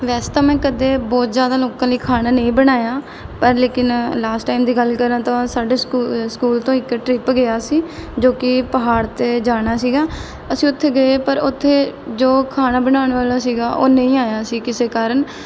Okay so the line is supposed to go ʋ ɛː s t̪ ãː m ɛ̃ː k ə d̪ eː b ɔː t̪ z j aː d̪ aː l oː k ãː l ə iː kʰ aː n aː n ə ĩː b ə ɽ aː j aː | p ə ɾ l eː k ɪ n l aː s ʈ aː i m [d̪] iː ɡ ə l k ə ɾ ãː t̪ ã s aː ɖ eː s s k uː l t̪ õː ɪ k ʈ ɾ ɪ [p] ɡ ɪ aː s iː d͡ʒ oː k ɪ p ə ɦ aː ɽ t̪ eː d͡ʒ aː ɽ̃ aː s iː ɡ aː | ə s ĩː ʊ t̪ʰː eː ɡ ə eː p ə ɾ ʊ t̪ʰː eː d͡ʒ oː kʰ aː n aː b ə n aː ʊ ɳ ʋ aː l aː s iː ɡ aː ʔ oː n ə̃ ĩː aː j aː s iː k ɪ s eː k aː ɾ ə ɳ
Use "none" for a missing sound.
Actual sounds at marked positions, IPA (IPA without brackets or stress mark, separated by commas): d̪, p